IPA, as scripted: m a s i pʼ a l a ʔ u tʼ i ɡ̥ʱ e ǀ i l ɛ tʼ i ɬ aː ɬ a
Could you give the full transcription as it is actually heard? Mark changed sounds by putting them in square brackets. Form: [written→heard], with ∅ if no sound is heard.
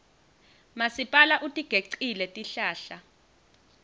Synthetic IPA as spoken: m a s i pʼ a l a ʔ u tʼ i ɡ̥ʱ e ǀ i l ɛ tʼ i ɬ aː ɬ a

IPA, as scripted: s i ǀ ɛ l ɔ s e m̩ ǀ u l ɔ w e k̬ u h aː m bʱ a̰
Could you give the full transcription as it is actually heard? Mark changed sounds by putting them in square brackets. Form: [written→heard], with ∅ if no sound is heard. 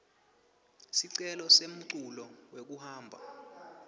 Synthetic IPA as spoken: s i ǀ ɛ l ɔ s e m̩ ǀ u l ɔ w e k̬ u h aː m bʱ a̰

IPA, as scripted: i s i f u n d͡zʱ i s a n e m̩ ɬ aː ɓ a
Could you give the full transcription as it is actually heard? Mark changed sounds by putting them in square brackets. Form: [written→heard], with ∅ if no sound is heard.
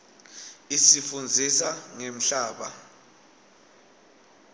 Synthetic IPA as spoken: i s i f u n d͡zʱ i s a [n→ŋ] e m̩ ɬ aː ɓ a

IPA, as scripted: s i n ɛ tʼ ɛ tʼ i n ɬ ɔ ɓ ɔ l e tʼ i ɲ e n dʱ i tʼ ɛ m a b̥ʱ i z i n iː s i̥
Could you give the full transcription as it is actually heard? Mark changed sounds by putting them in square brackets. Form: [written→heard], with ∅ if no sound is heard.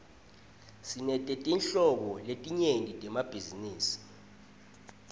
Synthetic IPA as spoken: s i n ɛ tʼ ɛ tʼ i n ɬ ɔ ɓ ɔ l e tʼ i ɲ e n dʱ i tʼ ɛ m a b̥ʱ i z i n iː s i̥

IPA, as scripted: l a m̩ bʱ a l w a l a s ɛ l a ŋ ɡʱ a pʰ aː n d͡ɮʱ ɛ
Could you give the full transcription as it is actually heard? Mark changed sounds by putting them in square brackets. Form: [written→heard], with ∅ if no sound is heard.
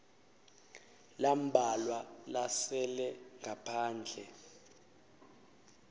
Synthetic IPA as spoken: l a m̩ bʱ a l w a l a s ɛ l [a→ɛ] ŋ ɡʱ a pʰ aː n d͡ɮʱ ɛ

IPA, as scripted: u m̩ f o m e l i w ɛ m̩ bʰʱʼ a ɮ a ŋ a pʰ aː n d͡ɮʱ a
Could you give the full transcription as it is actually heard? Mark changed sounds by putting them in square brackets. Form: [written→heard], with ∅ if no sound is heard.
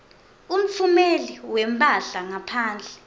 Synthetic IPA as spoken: u m̩ f [o→u] m e l i w ɛ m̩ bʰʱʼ a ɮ a ŋ a pʰ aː n d͡ɮʱ [a→ɛ]

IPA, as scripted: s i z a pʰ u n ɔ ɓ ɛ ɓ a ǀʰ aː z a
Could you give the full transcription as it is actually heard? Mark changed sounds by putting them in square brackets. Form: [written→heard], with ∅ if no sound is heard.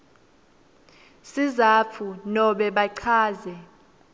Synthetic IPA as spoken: s i z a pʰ u n ɔ ɓ ɛ ɓ a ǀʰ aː z [a→ɛ]

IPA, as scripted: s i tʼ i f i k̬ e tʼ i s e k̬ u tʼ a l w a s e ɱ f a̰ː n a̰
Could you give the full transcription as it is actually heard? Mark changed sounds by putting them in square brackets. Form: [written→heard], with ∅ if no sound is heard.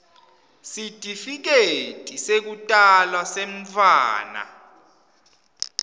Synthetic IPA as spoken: s i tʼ i f i k̬ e tʼ i s e k̬ u tʼ a l w a s e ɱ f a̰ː n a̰

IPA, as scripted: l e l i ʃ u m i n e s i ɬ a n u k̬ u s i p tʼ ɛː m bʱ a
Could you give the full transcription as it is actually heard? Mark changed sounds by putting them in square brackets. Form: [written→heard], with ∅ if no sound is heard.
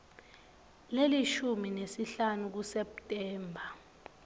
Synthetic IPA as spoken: l e l i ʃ u m i n e s i ɬ a n u k̬ u s [i→ɛ] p tʼ ɛː m bʱ a

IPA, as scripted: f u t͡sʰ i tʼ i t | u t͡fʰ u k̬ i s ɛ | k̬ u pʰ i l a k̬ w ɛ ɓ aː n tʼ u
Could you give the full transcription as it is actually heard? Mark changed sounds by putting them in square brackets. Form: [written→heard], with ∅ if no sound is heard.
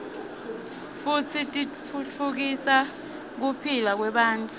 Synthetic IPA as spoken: f u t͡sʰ i tʼ i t | u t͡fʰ u k̬ i s [ɛ→a] | k̬ u pʰ i l a k̬ w ɛ ɓ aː n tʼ u

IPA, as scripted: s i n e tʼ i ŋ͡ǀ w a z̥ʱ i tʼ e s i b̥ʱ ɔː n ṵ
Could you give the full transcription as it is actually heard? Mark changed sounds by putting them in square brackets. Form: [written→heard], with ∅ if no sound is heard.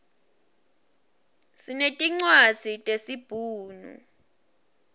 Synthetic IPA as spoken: s i n e tʼ i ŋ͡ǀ w a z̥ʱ i tʼ e s i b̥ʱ [ɔː→uː] n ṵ

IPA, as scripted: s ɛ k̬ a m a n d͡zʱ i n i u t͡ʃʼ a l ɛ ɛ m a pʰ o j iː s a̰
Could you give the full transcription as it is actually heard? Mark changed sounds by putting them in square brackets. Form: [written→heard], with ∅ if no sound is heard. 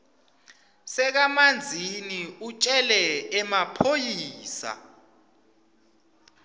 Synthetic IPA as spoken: s ɛ k̬ a m a n d͡zʱ i n i u t͡ʃʼ [a→ɛ] l ɛ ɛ m a pʰ o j iː s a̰

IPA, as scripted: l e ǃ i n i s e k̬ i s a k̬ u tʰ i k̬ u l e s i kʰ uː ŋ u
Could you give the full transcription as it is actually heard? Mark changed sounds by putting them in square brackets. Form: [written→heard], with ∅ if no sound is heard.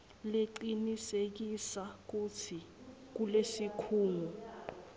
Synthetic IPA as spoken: l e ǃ i n i s e k̬ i s a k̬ u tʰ i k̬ u l e s i kʰ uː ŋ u

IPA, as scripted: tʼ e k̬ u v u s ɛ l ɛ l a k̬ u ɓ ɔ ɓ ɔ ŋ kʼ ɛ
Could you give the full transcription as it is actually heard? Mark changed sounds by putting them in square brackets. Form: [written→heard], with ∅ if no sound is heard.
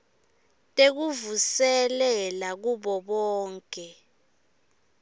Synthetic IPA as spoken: tʼ e k̬ u v u s ɛ l ɛ l a k̬ u ɓ ɔ ɓ [ɔ→ɔː] ŋ kʼ ɛ

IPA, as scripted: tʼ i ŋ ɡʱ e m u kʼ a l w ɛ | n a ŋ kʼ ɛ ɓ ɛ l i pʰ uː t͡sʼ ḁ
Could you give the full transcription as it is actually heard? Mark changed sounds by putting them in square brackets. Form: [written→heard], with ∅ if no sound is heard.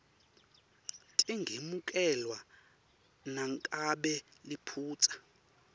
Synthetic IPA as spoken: tʼ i ŋ ɡʱ e m u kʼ [a→ɛ] l w [ɛ→a] | n a ŋ kʼ [ɛ→a] ɓ ɛ l i pʰ uː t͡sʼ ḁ

